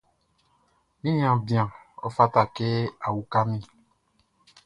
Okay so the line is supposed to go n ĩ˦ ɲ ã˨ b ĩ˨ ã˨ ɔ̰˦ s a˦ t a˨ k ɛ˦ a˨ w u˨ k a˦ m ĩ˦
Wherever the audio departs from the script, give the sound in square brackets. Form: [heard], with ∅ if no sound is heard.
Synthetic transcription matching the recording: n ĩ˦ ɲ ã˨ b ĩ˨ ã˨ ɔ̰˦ [f] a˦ t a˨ k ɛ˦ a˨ w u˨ k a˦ m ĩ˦

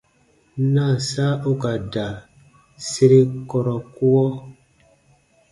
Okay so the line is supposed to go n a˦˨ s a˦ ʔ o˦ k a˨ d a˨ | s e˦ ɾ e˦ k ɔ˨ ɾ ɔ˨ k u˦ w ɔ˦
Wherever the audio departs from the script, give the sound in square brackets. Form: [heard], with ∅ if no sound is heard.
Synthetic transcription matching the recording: n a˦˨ s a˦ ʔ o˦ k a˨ d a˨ | s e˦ ɾ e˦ k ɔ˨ ɾ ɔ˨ k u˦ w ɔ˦

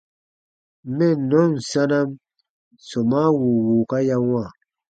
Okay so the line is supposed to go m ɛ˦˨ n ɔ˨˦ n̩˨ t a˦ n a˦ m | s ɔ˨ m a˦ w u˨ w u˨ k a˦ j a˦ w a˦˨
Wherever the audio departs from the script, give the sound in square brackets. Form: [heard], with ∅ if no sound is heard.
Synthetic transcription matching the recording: m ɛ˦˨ n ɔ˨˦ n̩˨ [s] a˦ n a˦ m | s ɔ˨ m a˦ w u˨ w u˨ k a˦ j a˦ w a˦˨

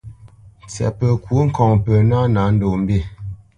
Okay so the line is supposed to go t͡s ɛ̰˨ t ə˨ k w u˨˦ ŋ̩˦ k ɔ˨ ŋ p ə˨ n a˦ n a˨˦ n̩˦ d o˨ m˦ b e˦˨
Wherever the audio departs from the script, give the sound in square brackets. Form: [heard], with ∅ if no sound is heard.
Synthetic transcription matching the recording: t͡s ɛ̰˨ [p] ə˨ k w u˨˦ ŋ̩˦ k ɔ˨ ŋ p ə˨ n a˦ n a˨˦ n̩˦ d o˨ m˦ b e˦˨

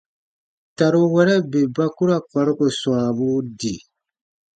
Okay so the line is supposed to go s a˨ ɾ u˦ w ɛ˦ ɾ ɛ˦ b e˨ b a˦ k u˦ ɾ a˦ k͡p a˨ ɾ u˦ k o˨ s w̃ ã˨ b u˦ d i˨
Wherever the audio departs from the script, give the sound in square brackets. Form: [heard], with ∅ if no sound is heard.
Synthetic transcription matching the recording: [t] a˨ ɾ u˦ w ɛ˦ ɾ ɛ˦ b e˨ b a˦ k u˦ ɾ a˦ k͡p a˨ ɾ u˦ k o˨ s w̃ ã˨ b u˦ d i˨

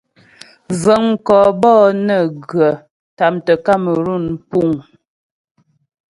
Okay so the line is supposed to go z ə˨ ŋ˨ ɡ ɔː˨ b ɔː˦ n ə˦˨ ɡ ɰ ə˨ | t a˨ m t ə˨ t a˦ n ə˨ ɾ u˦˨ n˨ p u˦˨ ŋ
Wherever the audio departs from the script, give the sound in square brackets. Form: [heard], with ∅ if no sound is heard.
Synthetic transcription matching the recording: z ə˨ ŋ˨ [k] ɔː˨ b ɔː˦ n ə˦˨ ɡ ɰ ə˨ | t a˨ m t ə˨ [k] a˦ [m] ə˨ ɾ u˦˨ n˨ p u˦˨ ŋ

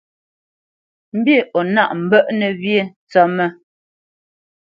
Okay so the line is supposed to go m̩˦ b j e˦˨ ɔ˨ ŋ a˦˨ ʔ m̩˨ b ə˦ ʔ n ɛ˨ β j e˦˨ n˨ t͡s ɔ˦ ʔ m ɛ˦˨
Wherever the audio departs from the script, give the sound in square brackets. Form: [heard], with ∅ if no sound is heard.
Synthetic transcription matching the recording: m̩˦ b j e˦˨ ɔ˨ [n] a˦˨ ʔ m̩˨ b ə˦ ʔ n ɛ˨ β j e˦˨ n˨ t͡s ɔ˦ [∅] m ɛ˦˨

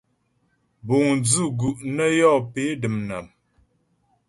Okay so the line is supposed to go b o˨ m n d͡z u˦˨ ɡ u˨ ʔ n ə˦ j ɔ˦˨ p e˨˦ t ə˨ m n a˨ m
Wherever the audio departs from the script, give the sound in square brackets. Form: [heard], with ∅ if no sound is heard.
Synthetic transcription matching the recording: b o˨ [ŋ] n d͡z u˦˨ ɡ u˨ ʔ n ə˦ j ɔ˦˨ p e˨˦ [d] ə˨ m n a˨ m

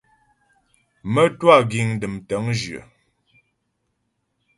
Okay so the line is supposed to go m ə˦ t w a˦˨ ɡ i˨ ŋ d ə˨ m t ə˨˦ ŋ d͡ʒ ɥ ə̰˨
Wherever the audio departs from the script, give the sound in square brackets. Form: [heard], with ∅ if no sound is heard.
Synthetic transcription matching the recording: m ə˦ t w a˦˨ ɡ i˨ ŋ d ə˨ m t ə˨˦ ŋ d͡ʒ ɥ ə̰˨

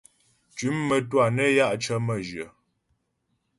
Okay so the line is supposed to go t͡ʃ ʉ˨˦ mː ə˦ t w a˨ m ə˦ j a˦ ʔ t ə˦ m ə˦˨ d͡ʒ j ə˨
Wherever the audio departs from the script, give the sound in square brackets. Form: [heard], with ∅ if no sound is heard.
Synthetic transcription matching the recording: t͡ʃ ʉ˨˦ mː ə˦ t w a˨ [n] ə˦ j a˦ ʔ [t͡ʃ] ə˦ m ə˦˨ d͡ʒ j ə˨

